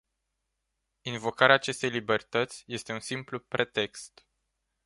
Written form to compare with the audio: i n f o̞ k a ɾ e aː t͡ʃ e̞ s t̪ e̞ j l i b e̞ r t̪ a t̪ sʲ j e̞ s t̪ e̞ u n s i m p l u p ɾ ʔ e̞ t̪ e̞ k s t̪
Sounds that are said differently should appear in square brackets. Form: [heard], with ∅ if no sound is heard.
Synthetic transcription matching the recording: i n [v] o̞ k a ɾ e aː t͡ʃ e̞ s t̪ e̞ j l i b e̞ r t̪ [ə] t̪ sʲ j e̞ s t̪ e̞ u n s i m p l u p ɾ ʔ e̞ t̪ e̞ k s t̪